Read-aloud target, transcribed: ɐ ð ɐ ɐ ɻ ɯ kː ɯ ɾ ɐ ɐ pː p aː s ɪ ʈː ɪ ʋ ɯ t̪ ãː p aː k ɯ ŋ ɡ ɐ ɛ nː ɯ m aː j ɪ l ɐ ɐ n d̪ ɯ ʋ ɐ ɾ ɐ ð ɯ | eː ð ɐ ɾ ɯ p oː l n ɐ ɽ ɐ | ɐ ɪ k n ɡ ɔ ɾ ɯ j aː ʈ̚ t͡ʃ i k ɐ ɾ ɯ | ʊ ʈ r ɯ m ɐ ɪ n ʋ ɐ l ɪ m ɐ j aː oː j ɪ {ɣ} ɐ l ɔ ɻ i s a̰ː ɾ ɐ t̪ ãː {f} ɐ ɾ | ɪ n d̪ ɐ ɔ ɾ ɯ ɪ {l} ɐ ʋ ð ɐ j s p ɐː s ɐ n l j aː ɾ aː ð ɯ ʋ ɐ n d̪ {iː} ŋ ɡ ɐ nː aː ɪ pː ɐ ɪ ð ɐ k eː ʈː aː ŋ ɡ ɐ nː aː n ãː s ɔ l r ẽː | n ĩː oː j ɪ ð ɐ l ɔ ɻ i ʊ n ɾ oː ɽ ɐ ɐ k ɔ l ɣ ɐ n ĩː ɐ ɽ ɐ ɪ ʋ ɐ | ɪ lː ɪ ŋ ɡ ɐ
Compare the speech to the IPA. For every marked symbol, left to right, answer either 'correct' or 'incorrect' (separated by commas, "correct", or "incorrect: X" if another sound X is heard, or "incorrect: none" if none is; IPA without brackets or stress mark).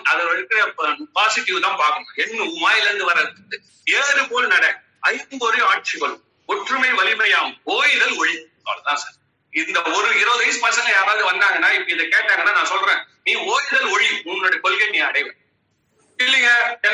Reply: incorrect: ð, incorrect: s, incorrect: ɾ, incorrect: aː